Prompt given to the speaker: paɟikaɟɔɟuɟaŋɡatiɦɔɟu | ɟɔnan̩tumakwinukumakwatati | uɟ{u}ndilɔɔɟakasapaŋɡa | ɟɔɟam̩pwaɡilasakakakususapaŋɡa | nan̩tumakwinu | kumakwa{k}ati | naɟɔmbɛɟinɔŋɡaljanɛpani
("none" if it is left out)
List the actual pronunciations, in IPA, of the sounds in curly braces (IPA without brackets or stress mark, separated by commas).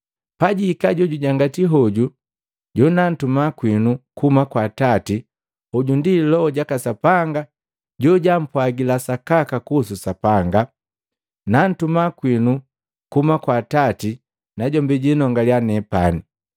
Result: u, t